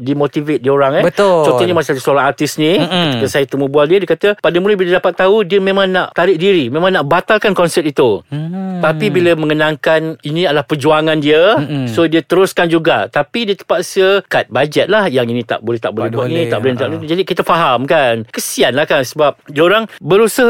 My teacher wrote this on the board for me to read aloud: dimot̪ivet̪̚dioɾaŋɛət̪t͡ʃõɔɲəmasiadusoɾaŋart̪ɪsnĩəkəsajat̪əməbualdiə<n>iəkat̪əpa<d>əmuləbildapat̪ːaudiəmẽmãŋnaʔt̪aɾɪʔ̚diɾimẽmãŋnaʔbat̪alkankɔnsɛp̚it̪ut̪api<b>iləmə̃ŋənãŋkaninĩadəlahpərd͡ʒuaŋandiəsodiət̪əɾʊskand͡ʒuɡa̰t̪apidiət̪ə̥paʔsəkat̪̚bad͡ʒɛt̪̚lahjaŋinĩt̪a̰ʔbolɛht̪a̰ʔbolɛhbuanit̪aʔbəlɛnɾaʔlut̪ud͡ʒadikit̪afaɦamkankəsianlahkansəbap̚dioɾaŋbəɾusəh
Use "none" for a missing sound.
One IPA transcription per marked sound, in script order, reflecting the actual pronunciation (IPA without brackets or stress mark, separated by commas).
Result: d, d, b